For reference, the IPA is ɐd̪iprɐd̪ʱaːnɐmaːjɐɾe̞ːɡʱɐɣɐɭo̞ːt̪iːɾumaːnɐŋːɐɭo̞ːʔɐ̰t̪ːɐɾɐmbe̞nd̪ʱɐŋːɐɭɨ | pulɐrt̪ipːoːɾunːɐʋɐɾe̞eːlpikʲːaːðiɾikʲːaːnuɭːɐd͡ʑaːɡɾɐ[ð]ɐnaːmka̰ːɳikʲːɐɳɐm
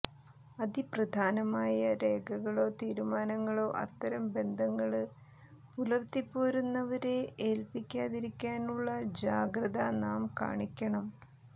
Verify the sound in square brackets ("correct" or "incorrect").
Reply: correct